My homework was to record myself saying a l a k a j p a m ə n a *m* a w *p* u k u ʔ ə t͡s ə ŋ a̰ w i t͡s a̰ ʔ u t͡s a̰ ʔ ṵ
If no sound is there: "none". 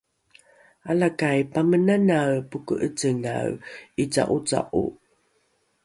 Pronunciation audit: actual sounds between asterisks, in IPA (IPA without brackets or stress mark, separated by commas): n, p